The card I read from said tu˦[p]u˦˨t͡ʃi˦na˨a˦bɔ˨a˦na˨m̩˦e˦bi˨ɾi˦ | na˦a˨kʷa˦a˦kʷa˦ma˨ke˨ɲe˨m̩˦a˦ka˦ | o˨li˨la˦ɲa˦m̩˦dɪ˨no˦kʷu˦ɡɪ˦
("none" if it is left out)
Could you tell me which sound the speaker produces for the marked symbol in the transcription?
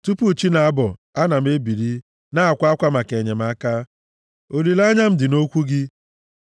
p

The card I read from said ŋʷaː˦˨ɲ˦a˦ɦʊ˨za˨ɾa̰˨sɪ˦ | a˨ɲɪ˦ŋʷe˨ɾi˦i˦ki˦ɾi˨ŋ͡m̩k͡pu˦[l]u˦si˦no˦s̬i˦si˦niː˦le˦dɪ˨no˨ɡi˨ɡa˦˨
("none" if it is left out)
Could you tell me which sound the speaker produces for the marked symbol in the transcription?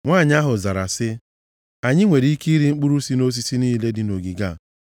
ɾ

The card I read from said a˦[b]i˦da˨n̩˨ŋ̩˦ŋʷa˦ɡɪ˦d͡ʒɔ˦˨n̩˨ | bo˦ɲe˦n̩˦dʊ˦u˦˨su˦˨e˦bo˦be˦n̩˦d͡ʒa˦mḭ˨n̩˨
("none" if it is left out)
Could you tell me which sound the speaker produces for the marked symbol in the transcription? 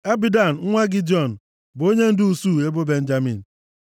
b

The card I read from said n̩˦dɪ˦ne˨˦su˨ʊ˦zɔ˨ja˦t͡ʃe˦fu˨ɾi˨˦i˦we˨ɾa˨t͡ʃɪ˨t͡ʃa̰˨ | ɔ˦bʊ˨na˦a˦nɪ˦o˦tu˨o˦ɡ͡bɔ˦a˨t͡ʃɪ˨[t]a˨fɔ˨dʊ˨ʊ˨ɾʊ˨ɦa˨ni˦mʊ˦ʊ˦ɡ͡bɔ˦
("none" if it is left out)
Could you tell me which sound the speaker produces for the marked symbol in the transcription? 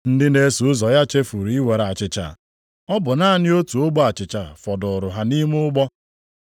t͡ʃ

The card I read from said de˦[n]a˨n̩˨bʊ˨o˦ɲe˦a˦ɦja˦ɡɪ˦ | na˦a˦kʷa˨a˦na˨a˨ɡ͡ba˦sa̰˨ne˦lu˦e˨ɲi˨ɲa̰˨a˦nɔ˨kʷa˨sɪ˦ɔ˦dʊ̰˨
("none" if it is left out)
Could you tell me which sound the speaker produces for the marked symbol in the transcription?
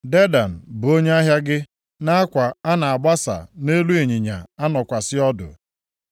d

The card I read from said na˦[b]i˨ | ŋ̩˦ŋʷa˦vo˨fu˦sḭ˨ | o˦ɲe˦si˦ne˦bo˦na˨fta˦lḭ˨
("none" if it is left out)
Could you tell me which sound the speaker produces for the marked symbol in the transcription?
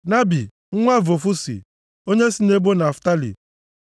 b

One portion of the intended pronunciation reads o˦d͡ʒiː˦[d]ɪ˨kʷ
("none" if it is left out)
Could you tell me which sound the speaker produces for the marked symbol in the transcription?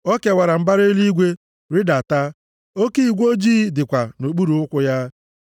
d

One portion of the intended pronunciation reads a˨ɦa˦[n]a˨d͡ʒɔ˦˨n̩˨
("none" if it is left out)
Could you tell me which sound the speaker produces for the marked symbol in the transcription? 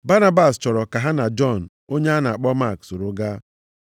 n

